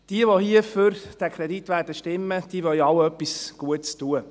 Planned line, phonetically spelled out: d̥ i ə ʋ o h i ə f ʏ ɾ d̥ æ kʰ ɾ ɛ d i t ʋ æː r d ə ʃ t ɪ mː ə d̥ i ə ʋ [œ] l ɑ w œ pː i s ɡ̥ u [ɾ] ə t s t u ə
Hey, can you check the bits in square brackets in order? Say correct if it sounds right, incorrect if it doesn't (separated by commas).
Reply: correct, incorrect